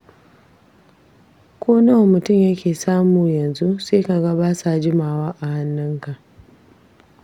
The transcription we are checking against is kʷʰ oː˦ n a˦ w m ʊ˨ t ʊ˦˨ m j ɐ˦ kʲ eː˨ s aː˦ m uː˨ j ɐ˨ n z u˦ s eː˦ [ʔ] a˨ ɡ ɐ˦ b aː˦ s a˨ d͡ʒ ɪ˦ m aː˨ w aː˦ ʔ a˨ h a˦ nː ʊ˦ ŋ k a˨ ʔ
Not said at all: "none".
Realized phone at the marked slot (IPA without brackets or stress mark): k